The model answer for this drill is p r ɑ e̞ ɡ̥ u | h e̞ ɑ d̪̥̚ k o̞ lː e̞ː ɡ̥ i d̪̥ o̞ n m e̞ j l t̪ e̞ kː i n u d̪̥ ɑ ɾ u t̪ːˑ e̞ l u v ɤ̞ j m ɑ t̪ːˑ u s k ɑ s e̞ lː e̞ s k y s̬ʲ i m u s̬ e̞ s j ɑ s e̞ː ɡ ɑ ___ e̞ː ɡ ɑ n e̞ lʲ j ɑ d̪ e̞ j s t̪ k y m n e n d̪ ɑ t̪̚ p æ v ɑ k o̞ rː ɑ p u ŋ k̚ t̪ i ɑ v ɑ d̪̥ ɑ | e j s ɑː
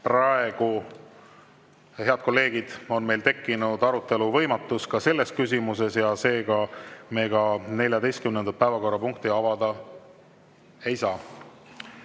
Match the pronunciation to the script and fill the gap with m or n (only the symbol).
m